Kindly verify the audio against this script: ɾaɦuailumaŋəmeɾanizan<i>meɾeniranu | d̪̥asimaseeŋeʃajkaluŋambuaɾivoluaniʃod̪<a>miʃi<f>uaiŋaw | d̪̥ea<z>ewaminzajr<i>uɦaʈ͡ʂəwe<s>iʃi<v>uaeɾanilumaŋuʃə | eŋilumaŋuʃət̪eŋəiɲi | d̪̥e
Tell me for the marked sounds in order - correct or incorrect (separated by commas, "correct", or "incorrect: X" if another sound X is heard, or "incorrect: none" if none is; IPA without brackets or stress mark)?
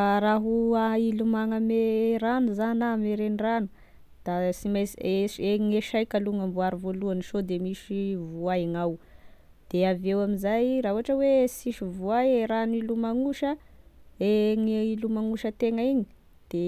incorrect: a, incorrect: e, incorrect: v, incorrect: v, incorrect: a, correct, correct